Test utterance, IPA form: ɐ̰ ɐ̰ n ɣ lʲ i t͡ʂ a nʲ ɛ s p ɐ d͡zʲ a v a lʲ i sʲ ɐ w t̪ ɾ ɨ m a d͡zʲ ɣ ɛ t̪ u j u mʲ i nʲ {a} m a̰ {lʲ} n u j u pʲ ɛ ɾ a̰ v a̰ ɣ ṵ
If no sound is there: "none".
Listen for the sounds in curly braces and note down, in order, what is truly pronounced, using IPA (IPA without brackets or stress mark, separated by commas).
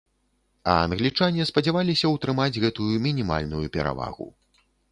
i, lʲ